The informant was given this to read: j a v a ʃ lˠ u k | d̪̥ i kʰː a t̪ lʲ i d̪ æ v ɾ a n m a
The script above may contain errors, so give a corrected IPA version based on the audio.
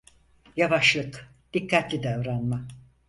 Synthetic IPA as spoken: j a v a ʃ lˠ ɯ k | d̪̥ i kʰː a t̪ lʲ i d̪ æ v ɾ a n m a